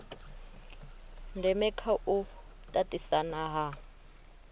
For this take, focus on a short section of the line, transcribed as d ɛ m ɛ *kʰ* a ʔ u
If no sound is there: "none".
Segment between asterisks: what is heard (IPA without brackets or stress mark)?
kʰ